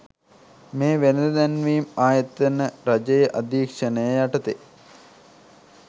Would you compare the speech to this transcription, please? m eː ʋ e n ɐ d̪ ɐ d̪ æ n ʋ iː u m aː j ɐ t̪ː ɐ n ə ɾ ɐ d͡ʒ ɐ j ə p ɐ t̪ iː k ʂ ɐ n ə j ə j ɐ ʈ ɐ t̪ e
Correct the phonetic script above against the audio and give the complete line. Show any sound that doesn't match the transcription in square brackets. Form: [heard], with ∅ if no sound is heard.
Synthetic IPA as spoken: m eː ʋ e n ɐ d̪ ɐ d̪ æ n ʋ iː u m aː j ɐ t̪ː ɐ n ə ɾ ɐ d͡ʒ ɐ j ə [ʔ] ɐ [d̪] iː k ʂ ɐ n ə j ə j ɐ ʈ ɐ t̪ e